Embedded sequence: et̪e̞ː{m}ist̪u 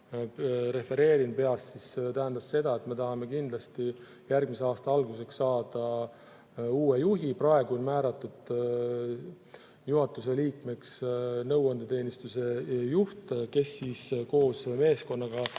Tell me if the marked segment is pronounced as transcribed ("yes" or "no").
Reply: no